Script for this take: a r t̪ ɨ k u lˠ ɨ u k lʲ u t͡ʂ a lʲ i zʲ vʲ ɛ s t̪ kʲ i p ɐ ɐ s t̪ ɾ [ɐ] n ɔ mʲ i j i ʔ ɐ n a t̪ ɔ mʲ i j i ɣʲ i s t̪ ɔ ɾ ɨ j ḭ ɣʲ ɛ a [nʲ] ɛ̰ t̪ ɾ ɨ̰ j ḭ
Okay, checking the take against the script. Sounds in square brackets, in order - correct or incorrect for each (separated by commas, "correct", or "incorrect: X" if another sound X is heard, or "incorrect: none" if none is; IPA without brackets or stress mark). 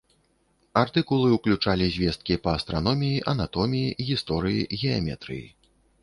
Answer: incorrect: a, incorrect: mʲ